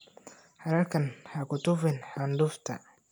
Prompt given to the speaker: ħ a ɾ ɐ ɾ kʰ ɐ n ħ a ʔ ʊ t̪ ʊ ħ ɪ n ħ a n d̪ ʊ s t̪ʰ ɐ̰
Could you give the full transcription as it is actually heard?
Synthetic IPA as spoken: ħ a ɾ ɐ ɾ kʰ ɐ n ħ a k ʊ t̪ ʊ f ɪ n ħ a n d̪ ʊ f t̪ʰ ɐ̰